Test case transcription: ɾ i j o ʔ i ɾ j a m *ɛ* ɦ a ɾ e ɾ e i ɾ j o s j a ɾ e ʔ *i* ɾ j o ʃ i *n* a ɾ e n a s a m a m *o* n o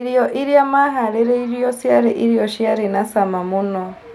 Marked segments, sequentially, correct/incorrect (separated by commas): incorrect, correct, incorrect, incorrect